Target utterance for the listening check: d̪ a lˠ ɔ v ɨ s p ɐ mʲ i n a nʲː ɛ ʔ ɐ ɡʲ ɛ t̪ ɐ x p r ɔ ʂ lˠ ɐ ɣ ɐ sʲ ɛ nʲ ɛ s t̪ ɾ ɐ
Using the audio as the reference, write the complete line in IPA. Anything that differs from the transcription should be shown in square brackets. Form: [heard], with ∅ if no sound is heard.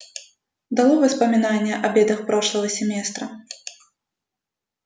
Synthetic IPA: d̪ a lˠ ɔ v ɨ s p ɐ mʲ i n a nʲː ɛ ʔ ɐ [bʲ] ɛ [d̪] ɐ x p [ɾ] ɔ ʂ lˠ ɐ ɣ ɐ sʲ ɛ [mʲ] ɛ s t̪ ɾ ɐ